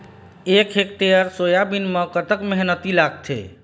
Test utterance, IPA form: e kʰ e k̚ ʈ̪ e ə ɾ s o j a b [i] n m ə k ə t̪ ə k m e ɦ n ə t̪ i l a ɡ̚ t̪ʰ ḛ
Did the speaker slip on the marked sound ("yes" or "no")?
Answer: no